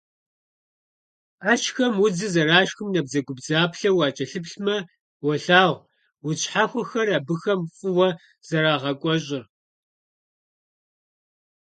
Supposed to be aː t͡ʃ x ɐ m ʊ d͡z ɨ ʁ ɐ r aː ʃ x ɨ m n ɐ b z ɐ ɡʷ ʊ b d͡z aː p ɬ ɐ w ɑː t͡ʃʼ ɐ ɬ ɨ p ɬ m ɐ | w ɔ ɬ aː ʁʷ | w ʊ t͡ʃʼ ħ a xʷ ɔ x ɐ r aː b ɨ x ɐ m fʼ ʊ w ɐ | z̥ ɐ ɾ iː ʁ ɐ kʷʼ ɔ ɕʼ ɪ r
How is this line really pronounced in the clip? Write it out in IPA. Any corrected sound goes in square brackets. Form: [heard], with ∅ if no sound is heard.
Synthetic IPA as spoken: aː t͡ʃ x ɐ m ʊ d͡z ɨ [z] ɐ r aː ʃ x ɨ m n ɐ b z ɐ ɡʷ ʊ b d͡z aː p ɬ ɐ w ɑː t͡ʃʼ ɐ ɬ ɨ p ɬ m ɐ | w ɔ ɬ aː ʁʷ | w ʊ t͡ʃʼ ħ a xʷ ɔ x ɐ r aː b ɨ x ɐ m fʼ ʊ w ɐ | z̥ ɐ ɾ [aː] ʁ ɐ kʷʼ ɔ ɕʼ ɪ r